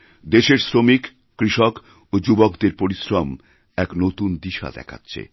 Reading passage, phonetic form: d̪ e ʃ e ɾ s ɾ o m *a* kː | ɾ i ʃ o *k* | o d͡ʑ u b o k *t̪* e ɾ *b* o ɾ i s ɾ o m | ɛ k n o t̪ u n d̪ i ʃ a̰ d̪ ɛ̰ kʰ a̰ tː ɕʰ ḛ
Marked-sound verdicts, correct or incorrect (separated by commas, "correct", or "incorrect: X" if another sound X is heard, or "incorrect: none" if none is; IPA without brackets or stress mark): incorrect: i, correct, incorrect: d̪, incorrect: p